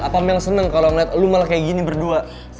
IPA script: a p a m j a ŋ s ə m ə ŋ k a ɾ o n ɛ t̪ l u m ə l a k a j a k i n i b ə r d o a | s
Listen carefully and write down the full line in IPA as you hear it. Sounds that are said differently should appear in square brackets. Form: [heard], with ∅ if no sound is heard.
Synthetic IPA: a p a m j a ŋ s ə [n] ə ŋ k a [l] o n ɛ t̪ l u m [a] l a k a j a [ɡ] i n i b ə r d [u] a | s